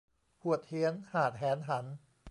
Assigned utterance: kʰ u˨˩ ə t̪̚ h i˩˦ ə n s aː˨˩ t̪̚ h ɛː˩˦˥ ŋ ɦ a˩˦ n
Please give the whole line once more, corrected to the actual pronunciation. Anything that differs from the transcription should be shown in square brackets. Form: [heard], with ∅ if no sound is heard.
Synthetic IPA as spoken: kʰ u˨˩ ə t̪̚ h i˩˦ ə n [h] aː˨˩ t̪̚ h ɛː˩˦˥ [n] ɦ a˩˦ n